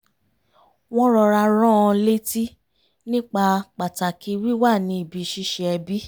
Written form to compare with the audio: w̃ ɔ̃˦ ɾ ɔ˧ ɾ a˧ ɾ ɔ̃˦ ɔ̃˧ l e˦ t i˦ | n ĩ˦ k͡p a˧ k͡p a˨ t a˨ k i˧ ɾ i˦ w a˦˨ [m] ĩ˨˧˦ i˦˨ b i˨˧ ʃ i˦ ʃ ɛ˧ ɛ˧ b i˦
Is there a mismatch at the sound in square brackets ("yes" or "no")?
yes